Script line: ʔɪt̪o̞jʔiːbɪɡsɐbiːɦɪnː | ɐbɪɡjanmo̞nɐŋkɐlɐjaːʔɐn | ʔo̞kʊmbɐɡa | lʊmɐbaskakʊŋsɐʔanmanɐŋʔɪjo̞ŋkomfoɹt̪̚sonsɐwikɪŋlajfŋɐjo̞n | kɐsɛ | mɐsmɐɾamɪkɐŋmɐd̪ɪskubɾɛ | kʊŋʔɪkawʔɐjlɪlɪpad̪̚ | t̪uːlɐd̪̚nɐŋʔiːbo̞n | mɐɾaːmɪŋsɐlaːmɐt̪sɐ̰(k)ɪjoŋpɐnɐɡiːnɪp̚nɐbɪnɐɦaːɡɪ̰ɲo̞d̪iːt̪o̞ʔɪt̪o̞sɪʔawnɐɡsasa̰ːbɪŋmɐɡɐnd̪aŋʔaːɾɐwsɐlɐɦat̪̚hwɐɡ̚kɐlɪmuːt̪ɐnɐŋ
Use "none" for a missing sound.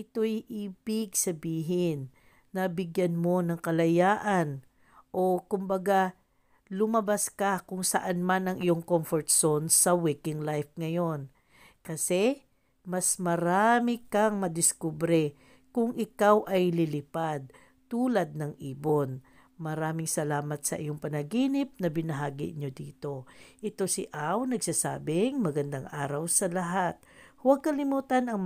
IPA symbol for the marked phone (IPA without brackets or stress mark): ʔ